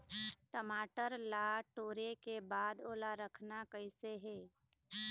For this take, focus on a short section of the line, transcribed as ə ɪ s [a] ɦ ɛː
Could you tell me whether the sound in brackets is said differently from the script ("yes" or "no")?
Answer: yes